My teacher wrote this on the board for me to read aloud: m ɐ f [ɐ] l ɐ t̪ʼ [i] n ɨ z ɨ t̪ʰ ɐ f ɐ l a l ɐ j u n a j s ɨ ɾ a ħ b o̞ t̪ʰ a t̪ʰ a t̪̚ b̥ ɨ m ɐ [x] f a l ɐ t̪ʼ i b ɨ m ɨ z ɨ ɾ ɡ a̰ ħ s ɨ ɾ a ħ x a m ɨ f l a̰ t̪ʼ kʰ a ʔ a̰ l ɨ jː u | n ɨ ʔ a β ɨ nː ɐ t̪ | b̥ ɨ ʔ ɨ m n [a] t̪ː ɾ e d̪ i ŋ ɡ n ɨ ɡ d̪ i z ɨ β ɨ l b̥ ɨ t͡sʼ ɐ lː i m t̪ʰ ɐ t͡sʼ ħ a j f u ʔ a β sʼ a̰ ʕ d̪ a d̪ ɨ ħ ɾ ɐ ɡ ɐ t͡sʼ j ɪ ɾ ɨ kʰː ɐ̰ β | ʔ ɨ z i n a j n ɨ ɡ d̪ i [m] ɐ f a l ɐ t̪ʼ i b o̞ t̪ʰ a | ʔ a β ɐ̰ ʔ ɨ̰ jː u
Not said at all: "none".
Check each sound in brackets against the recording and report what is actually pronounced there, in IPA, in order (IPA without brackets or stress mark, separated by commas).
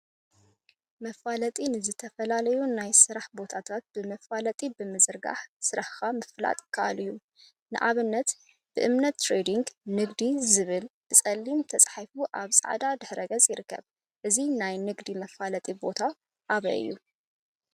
a, i, f, ɐ, m